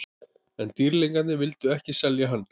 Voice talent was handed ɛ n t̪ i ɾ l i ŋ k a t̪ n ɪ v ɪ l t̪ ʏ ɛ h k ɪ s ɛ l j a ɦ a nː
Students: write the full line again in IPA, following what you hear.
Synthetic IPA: ɛ n t̪ i ɾ l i ŋ k a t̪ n ɪ v ɪ l t̪ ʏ ɛ h c ɪ s ɛ l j a ɦ a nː